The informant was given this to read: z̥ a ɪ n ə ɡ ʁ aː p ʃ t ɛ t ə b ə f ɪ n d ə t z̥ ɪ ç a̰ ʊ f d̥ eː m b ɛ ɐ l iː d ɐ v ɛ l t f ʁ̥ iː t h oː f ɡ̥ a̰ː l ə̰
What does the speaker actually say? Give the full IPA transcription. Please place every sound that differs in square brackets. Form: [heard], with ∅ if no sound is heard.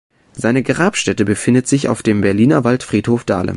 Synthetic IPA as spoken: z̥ a ɪ n ə ɡ ʁ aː p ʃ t ɛ t ə b ə f ɪ n d ə t z̥ ɪ ç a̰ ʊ f d̥ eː m b ɛ ɐ l iː [n] ɐ v [a] l t f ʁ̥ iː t h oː f [d̥] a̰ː l ə̰